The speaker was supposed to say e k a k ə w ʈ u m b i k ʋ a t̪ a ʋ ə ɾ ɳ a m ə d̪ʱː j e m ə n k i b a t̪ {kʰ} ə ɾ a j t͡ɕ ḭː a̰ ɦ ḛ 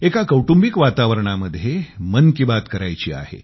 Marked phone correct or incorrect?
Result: incorrect